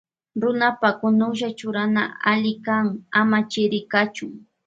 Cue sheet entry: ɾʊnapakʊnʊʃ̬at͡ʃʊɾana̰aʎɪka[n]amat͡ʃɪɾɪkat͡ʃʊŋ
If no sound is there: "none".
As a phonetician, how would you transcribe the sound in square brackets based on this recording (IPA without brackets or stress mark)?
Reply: ŋ